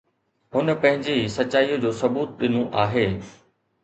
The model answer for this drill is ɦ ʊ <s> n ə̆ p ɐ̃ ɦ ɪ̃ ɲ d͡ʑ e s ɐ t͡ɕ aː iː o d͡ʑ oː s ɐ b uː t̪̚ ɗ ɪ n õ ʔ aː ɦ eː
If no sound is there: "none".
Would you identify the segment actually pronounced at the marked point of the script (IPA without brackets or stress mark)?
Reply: none